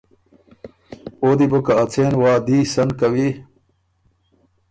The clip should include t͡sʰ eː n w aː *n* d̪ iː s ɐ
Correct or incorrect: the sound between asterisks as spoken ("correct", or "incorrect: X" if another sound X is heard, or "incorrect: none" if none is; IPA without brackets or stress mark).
incorrect: none